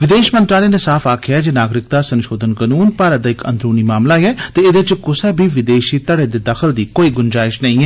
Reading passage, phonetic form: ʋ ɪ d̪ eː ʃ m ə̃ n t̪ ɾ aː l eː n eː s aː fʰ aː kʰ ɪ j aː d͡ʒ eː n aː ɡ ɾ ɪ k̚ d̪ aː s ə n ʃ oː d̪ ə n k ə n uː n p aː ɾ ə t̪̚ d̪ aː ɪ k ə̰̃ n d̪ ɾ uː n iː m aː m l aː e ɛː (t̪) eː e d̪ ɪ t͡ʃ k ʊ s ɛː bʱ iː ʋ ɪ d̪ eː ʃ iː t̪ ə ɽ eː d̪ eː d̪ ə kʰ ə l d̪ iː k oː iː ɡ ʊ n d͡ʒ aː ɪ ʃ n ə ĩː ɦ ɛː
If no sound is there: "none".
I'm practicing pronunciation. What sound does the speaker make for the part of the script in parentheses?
t̪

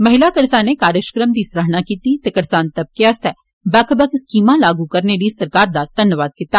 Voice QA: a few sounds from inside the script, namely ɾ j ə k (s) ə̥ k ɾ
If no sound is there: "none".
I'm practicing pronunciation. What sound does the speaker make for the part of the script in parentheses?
ʃ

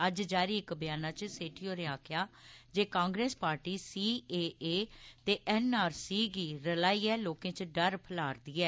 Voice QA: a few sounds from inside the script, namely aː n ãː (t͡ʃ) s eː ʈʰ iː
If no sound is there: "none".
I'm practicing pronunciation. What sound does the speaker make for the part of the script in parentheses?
t͡ʃ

